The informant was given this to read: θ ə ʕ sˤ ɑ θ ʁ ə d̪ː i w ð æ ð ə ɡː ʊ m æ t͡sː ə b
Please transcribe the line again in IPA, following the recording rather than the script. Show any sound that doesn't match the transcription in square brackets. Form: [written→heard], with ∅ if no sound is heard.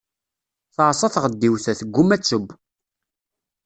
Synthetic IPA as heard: θ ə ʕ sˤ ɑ θ ʁ ə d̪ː i w [ð→θ] æ [ð→θ] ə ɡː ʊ m æ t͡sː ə b